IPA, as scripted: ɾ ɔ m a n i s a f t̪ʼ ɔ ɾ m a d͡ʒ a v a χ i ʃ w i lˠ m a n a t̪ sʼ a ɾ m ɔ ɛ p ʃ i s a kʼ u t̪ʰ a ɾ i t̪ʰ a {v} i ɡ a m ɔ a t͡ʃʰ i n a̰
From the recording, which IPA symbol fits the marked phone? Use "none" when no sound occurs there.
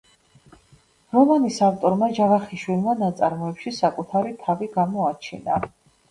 v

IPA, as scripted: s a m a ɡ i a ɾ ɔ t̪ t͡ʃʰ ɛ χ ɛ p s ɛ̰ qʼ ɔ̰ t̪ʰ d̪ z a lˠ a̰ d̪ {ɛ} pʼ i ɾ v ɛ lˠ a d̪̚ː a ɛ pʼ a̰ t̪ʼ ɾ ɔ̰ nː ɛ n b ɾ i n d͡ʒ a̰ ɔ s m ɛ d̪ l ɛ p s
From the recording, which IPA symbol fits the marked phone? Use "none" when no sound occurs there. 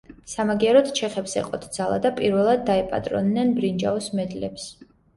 a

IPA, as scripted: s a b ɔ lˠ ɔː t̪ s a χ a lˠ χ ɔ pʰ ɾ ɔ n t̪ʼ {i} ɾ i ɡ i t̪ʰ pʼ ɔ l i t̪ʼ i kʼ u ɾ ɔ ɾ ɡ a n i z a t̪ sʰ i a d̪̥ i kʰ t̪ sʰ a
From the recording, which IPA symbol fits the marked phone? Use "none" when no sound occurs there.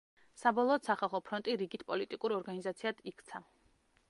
i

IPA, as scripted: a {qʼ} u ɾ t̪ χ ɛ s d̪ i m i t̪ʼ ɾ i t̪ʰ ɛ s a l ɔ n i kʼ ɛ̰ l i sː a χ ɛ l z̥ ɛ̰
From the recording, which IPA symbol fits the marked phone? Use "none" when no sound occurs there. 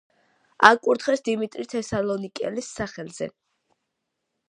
kʼ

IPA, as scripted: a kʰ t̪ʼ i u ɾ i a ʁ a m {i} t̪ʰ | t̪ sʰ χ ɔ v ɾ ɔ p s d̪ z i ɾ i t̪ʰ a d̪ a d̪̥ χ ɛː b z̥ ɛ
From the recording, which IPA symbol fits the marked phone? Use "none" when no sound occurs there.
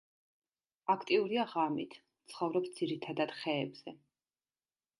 i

